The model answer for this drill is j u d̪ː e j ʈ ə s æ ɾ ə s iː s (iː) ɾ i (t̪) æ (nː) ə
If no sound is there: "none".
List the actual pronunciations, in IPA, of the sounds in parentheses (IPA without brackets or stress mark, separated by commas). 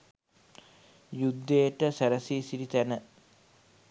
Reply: i, t̪, n